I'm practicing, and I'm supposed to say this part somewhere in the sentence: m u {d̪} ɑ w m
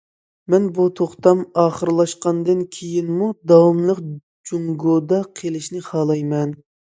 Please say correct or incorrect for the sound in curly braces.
correct